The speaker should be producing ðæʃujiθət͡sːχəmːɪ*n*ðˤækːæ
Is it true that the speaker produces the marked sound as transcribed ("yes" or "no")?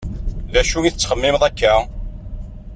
no